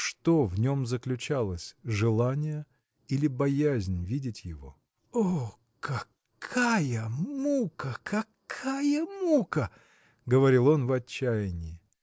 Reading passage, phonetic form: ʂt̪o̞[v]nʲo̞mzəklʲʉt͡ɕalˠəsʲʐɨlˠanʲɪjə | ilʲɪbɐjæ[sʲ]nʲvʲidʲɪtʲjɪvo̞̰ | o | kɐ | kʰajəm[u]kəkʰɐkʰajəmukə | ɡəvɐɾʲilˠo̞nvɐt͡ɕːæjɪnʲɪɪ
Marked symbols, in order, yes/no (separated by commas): yes, no, yes